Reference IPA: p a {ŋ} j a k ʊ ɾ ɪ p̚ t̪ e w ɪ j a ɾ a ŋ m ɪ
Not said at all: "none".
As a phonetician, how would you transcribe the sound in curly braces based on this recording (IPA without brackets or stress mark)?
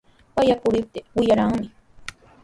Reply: none